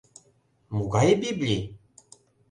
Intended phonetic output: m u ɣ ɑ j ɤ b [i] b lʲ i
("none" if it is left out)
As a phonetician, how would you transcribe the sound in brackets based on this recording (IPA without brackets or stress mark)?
i